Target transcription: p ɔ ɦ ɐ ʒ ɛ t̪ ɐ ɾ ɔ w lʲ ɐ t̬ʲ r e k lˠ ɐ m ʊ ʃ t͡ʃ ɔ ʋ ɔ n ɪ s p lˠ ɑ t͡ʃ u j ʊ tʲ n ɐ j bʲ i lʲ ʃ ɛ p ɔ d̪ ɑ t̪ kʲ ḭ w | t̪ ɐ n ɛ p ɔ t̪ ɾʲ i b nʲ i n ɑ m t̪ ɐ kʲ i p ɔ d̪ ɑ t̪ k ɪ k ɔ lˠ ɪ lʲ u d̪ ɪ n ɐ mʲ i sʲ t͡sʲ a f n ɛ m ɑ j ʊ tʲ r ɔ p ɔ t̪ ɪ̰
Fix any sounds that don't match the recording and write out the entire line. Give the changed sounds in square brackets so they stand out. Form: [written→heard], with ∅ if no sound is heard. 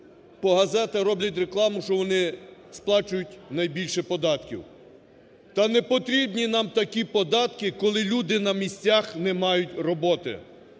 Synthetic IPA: p ɔ ɦ ɐ [ʒ→z] ɛ t̪ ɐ ɾ ɔ [w→b] lʲ ɐ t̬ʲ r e k lˠ [ɐ→ɑ] m ʊ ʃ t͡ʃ ɔ ʋ ɔ n ɪ s p lˠ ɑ t͡ʃ [u→ʊ] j ʊ tʲ n ɐ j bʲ i lʲ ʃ ɛ p ɔ d̪ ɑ t̪ kʲ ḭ w | t̪ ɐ n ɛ p ɔ t̪ ɾʲ i b nʲ i n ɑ m t̪ ɐ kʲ i p ɔ d̪ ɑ t̪ k ɪ k ɔ lˠ ɪ lʲ u d̪ ɪ n ɐ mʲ i sʲ t͡sʲ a [f→x] n ɛ m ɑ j ʊ tʲ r ɔ [p→b] ɔ t̪ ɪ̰

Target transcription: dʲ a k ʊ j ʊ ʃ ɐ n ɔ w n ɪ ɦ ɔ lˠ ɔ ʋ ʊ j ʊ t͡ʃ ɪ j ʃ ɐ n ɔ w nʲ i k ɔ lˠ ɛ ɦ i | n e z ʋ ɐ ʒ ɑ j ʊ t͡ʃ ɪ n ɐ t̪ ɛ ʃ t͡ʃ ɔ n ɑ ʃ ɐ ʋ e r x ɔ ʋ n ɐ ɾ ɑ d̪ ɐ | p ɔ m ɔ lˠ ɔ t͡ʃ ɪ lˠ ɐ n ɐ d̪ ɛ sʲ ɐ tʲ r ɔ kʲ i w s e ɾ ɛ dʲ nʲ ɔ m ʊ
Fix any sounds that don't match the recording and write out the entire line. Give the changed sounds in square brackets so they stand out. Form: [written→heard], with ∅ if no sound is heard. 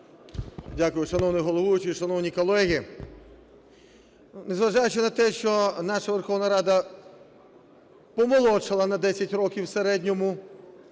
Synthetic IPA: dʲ a k ʊ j ʊ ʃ ɐ n ɔ w n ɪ ɦ ɔ lˠ ɔ ʋ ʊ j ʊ t͡ʃ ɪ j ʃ ɐ n ɔ w nʲ i k ɔ lˠ ɛ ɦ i | n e z ʋ ɐ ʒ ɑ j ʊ t͡ʃ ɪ n ɐ t̪ ɛ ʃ t͡ʃ ɔ n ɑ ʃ ɐ ʋ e r x ɔ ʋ n ɐ ɾ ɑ d̪ ɐ | p ɔ m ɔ lˠ ɔ t͡ʃ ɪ lˠ ɐ n ɐ d̪ ɛ sʲ ɐ tʲ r ɔ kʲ i w s e ɾ ɛ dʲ nʲ ɔ m ʊ

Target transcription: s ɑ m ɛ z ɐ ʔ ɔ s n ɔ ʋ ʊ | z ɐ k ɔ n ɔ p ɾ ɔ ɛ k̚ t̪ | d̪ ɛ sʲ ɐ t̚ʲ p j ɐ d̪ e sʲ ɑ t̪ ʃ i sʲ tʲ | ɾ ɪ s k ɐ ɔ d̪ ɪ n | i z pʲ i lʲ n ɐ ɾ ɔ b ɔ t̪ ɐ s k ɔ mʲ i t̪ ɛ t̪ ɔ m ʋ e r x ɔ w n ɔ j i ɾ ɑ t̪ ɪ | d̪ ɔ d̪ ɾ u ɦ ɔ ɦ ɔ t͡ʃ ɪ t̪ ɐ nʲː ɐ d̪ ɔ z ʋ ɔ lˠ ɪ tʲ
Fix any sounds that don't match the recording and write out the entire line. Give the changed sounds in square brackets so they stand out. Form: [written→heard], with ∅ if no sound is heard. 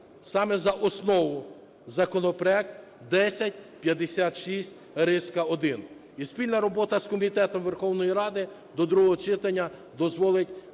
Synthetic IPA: s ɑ m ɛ z ɐ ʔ ɔ s n ɔ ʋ ʊ | z ɐ k ɔ n ɔ p ɾ ɔ ɛ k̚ t̪ | d̪ ɛ sʲ ɐ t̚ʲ p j ɐ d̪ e sʲ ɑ t̪ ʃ i sʲ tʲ | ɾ ɪ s k ɐ ɔ d̪ ɪ n | i [z→s] pʲ i lʲ n ɐ ɾ ɔ b ɔ t̪ ɐ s k ɔ mʲ i t̪ ɛ t̪ ɔ m ʋ e r x ɔ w n ɔ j i ɾ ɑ [t̪→d̪] ɪ | d̪ ɔ d̪ ɾ u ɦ ɔ ɦ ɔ t͡ʃ ɪ t̪ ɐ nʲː ɐ d̪ ɔ z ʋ ɔ lˠ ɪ tʲ

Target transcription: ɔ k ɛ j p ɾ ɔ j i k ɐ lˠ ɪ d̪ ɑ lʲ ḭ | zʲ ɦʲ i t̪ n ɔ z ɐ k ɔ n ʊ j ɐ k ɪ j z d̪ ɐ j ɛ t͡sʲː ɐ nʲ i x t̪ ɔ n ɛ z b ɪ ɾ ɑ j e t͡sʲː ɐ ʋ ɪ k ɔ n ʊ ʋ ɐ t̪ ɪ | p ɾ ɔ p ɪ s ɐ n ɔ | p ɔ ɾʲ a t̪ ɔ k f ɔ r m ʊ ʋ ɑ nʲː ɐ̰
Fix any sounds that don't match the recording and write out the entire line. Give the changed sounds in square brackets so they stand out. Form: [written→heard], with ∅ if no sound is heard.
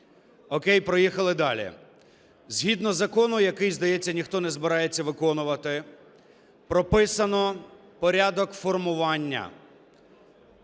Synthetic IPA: ɔ k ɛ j p ɾ ɔ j i [k→x] ɐ lˠ ɪ d̪ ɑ lʲ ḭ | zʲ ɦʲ i [t̪→d̪] n ɔ z ɐ k ɔ n ʊ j ɐ k ɪ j z d̪ ɐ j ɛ t͡sʲː ɐ nʲ i x t̪ ɔ n ɛ z b ɪ ɾ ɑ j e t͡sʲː ɐ ʋ ɪ k ɔ n ʊ ʋ ɐ t̪ ɪ | p ɾ ɔ p ɪ s ɐ n ɔ | p ɔ ɾʲ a [t̪→d̪] ɔ k f ɔ r m ʊ ʋ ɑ nʲː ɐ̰

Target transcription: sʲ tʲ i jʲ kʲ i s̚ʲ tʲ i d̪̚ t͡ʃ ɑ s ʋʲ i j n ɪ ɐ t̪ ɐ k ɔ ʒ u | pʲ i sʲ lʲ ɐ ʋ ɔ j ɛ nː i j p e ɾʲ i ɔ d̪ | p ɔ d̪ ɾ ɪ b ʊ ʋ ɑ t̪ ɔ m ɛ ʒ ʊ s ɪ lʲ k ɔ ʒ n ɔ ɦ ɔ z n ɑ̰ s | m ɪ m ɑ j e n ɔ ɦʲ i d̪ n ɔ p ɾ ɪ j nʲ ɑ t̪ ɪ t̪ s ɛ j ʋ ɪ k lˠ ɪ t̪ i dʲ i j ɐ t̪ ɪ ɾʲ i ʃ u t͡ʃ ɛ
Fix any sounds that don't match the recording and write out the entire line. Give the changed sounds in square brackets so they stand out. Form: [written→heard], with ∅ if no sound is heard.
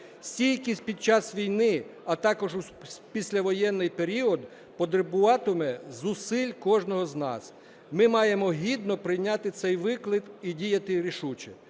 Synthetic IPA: sʲ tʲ i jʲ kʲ i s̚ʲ [tʲ→pʲ] i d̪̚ t͡ʃ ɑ s ʋʲ i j n ɪ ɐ t̪ [ɐ→ɑ] k ɔ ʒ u | pʲ i sʲ lʲ ɐ ʋ ɔ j ɛ nː [i→ɪ] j p e ɾʲ i ɔ d̪ | p ɔ d̪ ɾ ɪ b ʊ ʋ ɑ t̪ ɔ m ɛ [ʒ→z] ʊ s ɪ lʲ k ɔ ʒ n ɔ ɦ ɔ z n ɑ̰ s | m ɪ m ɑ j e [n→m] ɔ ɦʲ i d̪ n ɔ p ɾ ɪ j nʲ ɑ t̪ ɪ t̪ s ɛ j ʋ ɪ k lˠ ɪ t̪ i dʲ i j ɐ t̪ ɪ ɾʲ i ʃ u t͡ʃ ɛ

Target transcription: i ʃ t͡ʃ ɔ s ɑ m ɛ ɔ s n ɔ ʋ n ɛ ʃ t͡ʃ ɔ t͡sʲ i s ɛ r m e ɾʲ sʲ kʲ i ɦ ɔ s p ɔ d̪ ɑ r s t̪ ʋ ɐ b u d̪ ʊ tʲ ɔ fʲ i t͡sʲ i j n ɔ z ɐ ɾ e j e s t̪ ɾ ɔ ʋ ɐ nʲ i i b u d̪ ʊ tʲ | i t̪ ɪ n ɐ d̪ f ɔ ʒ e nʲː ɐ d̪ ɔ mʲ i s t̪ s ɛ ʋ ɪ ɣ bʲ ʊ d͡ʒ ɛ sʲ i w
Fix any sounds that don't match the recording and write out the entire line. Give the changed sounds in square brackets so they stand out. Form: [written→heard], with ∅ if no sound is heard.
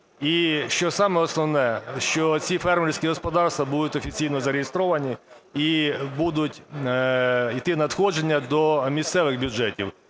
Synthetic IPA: i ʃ t͡ʃ ɔ s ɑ m ɛ ɔ s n ɔ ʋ n ɛ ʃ t͡ʃ ɔ t͡sʲ i [s→f] ɛ r m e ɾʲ sʲ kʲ i ɦ ɔ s p ɔ d̪ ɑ r s t̪ ʋ ɐ b u d̪ ʊ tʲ ɔ fʲ i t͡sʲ i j n ɔ z ɐ ɾ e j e s t̪ ɾ ɔ ʋ ɐ nʲ i i b u d̪ ʊ tʲ | i t̪ ɪ n ɐ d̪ [f→x] ɔ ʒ e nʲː ɐ d̪ ɔ mʲ i s t̪ s ɛ ʋ ɪ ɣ bʲ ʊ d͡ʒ ɛ [sʲ→tʲ] i w

